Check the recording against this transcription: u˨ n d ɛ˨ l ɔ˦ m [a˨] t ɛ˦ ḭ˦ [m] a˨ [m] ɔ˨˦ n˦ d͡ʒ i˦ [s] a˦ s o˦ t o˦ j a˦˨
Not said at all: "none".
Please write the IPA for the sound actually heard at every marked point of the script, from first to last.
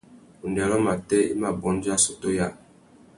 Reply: a˨, m, b, none

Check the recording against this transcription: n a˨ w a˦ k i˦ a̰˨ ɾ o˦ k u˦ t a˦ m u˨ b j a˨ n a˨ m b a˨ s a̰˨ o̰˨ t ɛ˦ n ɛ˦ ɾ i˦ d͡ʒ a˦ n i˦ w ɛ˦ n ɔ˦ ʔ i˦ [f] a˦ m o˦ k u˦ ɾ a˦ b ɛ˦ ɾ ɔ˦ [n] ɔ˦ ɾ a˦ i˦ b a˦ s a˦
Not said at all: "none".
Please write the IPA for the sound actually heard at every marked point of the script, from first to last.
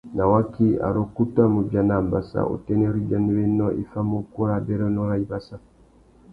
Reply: f, n

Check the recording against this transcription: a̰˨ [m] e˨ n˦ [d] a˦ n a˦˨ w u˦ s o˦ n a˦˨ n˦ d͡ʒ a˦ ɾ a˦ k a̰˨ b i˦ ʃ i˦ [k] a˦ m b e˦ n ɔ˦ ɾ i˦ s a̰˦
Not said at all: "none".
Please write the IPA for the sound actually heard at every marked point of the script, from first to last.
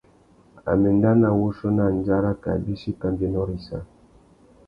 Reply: m, d, k

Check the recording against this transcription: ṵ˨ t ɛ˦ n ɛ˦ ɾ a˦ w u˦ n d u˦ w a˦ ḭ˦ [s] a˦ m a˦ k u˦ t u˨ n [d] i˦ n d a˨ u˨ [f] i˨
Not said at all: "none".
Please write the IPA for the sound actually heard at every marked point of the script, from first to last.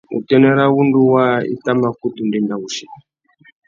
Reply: t, d, ʃ

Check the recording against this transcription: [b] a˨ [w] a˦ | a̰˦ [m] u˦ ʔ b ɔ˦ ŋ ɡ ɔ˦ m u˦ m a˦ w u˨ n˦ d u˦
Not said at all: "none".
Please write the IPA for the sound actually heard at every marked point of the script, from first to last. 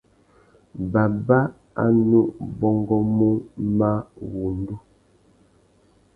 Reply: b, b, n

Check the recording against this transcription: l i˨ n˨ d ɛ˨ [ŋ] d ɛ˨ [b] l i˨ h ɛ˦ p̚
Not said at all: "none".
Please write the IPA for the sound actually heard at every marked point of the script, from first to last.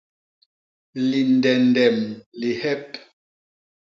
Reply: n, m

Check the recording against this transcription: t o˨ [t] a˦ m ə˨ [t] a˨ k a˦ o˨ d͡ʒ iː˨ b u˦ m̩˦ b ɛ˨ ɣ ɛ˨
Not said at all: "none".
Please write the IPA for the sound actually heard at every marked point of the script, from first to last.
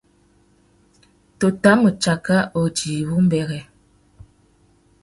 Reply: t, t͡ʃ

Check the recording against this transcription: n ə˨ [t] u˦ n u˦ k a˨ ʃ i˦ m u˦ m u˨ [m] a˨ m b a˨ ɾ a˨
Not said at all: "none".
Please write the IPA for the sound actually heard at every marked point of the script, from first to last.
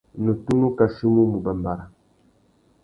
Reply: t, b

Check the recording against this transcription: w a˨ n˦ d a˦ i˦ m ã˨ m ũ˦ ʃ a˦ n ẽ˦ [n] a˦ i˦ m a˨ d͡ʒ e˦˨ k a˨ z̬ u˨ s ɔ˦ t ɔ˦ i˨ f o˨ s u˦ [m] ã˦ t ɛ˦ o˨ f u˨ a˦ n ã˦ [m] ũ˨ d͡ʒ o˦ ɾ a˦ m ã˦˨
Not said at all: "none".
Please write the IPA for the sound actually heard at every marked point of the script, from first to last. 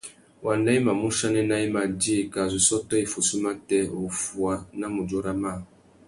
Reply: n, m, m

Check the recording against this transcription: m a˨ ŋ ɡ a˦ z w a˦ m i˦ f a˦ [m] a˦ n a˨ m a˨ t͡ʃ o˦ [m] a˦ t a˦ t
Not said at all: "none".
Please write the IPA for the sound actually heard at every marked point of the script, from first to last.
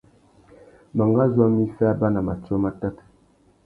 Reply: b, m

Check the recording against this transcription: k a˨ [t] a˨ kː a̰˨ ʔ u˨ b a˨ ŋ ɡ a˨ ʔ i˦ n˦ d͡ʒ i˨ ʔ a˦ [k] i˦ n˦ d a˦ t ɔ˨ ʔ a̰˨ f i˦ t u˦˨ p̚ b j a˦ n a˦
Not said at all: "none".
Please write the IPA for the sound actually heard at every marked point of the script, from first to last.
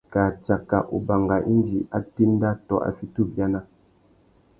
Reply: t͡ʃ, t

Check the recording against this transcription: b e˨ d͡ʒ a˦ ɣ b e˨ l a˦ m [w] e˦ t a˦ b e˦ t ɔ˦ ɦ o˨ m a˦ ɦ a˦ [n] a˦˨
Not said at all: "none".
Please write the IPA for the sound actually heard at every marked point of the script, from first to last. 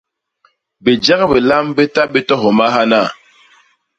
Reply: b, n

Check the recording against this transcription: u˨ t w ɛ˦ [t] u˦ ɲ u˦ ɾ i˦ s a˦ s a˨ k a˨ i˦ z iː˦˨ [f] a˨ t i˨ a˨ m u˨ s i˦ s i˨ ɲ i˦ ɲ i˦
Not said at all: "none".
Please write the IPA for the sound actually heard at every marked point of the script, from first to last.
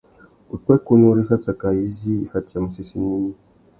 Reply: k, f

